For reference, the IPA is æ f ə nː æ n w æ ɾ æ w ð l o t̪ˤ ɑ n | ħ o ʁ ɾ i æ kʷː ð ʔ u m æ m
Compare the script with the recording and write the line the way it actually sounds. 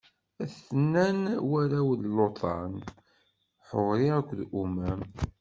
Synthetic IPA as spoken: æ θ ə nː æ n w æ ɾ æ w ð l o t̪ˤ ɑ n | ħ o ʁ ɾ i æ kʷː ð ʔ u m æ m